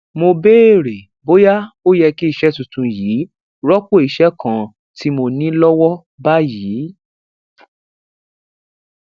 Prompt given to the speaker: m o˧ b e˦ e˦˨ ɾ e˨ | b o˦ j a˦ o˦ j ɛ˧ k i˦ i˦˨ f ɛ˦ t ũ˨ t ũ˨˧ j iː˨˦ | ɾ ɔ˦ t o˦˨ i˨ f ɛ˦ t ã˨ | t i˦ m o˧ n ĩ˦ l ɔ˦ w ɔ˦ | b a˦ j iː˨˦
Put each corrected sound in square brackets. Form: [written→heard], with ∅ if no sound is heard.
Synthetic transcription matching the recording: m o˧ b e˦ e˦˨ ɾ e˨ | b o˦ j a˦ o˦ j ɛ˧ k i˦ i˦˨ [f→ʃ] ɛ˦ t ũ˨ t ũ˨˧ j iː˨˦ | ɾ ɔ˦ [t→k] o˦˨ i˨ [f→ʃ] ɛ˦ [t→k] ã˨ | t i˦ m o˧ n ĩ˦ l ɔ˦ w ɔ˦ | b a˦ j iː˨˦

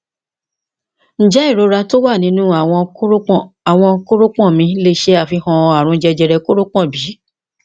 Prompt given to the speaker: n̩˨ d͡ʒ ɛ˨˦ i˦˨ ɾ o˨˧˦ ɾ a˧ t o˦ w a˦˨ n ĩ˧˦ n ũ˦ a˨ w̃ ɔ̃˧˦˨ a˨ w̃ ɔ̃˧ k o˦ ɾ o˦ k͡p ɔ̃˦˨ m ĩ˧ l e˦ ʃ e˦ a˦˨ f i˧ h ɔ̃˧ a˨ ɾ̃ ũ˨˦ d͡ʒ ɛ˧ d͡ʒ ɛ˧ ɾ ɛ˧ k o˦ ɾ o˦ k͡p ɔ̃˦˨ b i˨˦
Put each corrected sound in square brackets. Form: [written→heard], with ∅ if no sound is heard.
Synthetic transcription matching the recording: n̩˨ d͡ʒ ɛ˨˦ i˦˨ ɾ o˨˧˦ ɾ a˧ t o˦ w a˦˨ n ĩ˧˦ n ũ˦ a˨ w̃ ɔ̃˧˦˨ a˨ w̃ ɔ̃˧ k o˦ ɾ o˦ k͡p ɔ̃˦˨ m ĩ˧ l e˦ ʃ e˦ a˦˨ f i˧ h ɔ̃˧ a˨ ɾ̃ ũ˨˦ d͡ʒ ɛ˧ d͡ʒ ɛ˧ ɾ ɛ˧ k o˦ ɾ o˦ k͡p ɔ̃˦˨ b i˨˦

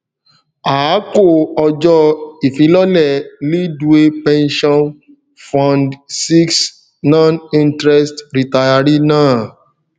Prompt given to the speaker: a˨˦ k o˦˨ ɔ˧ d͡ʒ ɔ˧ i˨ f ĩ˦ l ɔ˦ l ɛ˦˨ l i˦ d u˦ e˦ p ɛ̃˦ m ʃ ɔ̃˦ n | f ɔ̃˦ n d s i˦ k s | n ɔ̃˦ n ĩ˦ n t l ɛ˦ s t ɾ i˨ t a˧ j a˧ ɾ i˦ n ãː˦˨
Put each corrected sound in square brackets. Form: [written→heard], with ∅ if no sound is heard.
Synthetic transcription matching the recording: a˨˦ k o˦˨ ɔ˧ d͡ʒ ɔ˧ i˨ f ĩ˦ l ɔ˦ l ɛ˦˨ l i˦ d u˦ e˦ p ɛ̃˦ [m→n] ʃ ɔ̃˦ n | f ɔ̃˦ n d s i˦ k s | n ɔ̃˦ n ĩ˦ n t [l→ɾ] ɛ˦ s t ɾ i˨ t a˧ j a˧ ɾ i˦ n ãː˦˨

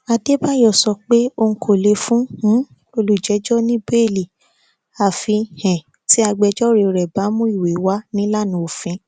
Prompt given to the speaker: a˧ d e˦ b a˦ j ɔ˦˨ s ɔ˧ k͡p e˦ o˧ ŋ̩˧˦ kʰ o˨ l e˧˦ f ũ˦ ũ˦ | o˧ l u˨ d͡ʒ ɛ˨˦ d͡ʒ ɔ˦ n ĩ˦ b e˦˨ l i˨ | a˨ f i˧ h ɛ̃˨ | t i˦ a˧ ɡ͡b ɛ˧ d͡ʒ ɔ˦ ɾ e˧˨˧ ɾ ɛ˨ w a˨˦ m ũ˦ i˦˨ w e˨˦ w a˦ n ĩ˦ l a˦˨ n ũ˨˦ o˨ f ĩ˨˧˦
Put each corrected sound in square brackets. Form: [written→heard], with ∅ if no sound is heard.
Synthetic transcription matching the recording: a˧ d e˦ b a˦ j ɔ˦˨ s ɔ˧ k͡p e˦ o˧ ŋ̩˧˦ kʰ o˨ l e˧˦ f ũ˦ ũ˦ | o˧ l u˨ d͡ʒ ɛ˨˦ d͡ʒ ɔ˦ n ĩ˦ b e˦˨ l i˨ | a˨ f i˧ h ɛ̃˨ | t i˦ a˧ ɡ͡b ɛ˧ d͡ʒ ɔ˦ ɾ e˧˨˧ ɾ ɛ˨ [w→b] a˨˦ m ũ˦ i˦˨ w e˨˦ w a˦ n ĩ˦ l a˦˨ n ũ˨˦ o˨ f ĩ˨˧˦

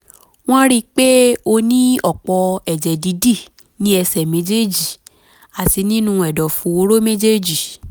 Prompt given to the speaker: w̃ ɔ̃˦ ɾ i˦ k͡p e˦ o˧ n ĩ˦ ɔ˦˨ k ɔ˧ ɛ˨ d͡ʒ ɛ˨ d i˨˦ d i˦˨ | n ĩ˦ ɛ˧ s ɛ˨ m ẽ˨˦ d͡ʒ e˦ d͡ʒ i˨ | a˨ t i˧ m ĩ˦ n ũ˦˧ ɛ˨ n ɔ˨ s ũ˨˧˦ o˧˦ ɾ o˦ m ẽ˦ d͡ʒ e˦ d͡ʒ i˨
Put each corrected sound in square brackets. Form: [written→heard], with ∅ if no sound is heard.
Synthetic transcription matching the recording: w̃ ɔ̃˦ ɾ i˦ k͡p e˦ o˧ n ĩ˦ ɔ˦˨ [k→k͡p] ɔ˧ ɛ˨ d͡ʒ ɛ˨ d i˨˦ d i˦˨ | n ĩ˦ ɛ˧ s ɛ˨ m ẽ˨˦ d͡ʒ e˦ d͡ʒ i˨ | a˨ t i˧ [m→n] ĩ˦ n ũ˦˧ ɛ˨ [n→d] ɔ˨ [s→f] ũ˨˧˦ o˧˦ ɾ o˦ m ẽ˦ d͡ʒ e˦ d͡ʒ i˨

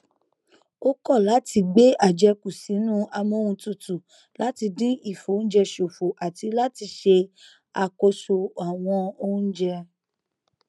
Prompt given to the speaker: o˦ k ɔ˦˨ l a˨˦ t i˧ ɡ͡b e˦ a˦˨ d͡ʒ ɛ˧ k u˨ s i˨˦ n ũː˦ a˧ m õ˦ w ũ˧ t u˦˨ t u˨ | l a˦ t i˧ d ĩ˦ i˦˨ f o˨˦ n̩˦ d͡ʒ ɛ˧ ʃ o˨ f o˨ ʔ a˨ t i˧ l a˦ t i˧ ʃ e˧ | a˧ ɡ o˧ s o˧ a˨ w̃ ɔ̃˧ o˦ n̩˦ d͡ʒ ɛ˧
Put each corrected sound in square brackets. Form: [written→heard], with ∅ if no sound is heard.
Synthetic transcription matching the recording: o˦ k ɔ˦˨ l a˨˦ t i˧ ɡ͡b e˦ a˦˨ d͡ʒ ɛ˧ k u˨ s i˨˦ n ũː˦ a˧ m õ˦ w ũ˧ t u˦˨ t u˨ | l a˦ t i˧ d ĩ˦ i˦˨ f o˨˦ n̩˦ d͡ʒ ɛ˧ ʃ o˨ f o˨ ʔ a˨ t i˧ l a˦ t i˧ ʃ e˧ | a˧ [ɡ→k] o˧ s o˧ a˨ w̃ ɔ̃˧ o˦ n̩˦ d͡ʒ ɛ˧

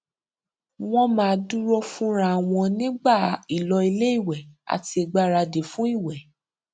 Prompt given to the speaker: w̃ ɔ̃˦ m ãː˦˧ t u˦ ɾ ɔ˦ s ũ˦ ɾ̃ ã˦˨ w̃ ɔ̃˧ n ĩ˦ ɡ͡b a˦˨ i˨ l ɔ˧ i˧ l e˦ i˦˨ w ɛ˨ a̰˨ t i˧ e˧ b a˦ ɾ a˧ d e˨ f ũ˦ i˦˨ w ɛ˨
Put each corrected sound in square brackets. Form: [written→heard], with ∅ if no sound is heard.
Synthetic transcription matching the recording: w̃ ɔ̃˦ m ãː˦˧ [t→d] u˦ ɾ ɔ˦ [s→f] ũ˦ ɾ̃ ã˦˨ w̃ ɔ̃˧ n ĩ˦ ɡ͡b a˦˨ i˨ l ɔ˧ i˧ l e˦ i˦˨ w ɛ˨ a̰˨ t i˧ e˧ [b→ɡ͡b] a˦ ɾ a˧ d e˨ f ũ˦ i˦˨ w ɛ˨

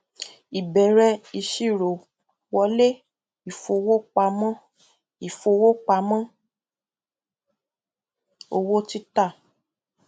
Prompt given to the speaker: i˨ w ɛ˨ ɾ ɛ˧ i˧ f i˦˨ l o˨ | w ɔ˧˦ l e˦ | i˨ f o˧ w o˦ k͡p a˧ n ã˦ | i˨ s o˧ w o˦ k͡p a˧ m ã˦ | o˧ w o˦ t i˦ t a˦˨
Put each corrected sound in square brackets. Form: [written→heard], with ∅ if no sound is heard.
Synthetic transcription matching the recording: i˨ [w→b] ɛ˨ ɾ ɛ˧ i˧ [f→ʃ] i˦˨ [l→ɾ] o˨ | w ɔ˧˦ l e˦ | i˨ f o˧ w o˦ k͡p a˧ [n→m] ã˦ | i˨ [s→f] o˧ w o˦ k͡p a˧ m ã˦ | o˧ w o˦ t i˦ t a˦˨

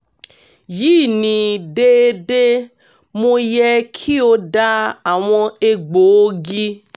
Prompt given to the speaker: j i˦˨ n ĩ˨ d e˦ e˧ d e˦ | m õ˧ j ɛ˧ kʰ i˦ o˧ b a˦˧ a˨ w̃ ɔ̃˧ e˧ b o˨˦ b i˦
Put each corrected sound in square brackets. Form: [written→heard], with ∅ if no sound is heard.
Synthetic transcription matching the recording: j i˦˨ n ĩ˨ d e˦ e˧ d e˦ | m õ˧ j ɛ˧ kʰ i˦ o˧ [b→d] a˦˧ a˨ w̃ ɔ̃˧ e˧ [b→ɡ͡b] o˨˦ [b→ɡ] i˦

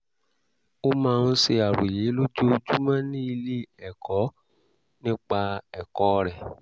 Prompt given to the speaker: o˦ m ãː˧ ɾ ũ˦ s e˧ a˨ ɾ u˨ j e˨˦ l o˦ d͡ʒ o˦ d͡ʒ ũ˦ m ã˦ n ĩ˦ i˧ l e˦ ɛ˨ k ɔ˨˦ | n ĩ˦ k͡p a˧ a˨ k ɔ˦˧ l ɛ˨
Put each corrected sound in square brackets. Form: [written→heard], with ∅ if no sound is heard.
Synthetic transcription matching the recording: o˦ m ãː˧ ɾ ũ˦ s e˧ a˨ ɾ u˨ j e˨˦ l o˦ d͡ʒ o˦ d͡ʒ [ũ˦→u˦] m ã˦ n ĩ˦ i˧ l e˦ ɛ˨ k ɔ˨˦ | n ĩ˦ k͡p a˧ [a˨→ɛ˨] k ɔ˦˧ [l→ɾ] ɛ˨

